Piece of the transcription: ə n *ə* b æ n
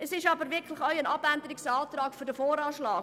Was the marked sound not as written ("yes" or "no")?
yes